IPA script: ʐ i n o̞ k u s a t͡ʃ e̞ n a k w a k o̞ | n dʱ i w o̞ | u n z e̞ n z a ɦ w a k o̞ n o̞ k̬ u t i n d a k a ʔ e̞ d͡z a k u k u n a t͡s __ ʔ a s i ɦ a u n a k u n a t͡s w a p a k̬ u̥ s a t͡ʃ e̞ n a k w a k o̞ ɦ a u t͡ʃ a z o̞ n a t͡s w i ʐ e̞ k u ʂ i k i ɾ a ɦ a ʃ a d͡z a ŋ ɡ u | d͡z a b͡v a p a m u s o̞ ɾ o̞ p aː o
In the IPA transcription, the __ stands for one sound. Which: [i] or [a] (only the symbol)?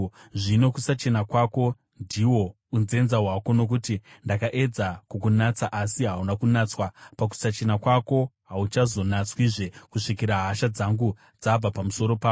a